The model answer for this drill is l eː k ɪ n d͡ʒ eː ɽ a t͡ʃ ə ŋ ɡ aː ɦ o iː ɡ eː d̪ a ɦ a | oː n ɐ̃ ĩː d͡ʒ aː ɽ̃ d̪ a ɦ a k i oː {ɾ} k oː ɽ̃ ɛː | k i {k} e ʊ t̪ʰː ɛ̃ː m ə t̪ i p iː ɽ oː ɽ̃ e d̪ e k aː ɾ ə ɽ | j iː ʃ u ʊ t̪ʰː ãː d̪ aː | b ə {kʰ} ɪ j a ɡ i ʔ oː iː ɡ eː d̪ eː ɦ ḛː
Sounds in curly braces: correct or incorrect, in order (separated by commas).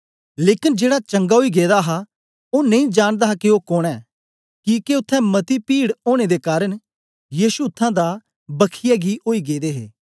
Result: incorrect, correct, correct